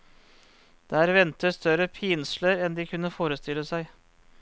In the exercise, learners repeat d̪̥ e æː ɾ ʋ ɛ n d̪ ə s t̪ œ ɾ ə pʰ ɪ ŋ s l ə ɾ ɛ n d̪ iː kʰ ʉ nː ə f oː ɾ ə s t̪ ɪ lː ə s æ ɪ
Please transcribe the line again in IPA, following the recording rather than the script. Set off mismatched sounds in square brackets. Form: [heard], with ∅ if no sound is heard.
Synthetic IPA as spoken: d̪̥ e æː ɾ ʋ ɛ n [t̪] ə s t̪ œ ɾ ə pʰ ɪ [n] s l ə ɾ ɛ n d̪ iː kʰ ʉ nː ə f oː ɾ ə s t̪ ɪ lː ə s æ ɪ